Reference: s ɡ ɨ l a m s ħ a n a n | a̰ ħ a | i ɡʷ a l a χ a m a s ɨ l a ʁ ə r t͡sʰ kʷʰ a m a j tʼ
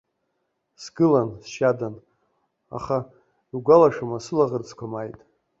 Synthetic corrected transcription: s ɡ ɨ l a n s ʃ a d a n | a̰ χ a | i ɡʷ a l a ʂ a m a s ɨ l a ʁ ə r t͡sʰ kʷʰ a m a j tʼ

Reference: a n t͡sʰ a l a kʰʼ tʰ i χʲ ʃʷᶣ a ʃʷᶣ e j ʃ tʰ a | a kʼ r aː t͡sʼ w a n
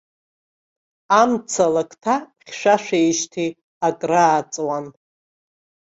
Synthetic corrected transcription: a m t͡sʰ a l a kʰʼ tʰ a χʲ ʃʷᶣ a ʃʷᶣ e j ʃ tʰ i | a kʼ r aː t͡sʼ w a n

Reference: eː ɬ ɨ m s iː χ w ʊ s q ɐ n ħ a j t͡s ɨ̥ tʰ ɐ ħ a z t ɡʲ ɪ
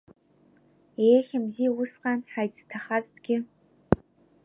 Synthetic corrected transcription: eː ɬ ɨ m z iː w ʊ s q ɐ n ħ a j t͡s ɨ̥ tʰ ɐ χ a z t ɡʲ ɪ

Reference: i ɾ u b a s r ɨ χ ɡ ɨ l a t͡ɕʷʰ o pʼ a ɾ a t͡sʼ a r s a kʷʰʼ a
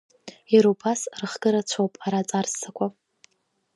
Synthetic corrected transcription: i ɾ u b a s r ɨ χ ɡ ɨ ɾ a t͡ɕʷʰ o pʼ a ɾ a t͡sʼ a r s a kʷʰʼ a

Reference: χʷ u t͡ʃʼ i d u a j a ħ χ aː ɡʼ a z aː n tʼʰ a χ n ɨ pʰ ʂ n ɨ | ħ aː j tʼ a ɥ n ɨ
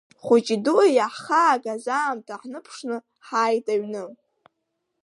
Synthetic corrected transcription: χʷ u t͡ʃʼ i d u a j a ħ χ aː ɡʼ a z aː m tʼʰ a ħ n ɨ pʰ ʂ n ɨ | ħ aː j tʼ a ɥ n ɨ

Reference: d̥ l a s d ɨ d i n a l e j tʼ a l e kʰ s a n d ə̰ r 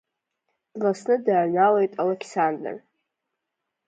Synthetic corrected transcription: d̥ l a s n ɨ d a n a l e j tʼ a l e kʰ s a n d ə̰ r

